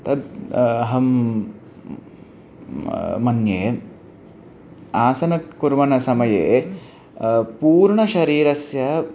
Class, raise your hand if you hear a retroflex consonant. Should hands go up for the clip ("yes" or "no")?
yes